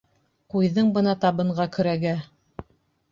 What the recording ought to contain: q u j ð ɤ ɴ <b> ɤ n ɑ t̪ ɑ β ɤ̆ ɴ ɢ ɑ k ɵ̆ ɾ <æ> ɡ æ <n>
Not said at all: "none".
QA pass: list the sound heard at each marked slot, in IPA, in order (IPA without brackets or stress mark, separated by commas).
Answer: b, æ, none